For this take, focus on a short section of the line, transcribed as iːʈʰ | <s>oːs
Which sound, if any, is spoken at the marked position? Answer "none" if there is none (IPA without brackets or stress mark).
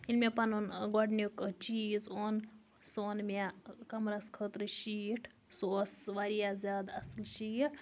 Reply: s